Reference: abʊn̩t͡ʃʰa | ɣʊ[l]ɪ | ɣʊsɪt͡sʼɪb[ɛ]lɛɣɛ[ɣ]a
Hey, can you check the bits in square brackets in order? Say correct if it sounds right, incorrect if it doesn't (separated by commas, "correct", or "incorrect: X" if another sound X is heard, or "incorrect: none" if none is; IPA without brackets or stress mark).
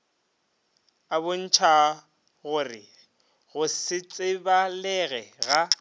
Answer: incorrect: r, incorrect: a, correct